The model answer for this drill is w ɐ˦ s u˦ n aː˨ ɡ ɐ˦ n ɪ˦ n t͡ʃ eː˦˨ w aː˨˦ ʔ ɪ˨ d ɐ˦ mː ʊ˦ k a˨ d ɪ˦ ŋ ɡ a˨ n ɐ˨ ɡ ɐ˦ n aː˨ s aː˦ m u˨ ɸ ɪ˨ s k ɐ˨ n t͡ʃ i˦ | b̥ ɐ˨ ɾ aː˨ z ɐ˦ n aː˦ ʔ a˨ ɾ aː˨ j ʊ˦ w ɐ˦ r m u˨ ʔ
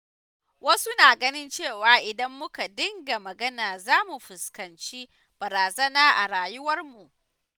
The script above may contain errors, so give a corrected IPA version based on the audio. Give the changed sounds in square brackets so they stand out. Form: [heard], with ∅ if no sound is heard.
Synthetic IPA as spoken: w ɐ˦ s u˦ n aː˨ ɡ ɐ˦ n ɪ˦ n t͡ʃ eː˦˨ w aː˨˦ ʔ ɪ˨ d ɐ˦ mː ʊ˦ k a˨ d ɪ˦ ŋ ɡ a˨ [m] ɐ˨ ɡ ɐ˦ n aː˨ [z] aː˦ m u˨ ɸ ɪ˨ s k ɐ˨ n t͡ʃ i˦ | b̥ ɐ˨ ɾ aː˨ z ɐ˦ n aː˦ ʔ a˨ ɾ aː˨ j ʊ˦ w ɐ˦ r m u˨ ʔ